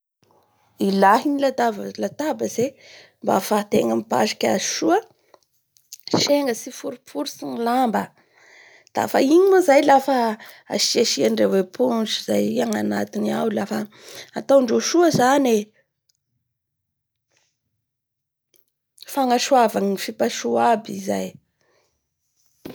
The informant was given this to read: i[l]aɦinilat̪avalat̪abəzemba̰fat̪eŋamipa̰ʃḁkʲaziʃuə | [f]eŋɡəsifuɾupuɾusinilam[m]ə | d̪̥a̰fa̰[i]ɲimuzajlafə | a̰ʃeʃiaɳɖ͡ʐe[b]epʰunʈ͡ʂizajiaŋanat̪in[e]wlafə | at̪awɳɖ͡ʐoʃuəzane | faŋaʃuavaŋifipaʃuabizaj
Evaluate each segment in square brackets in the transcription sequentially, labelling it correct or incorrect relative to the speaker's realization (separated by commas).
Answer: correct, incorrect, incorrect, correct, incorrect, incorrect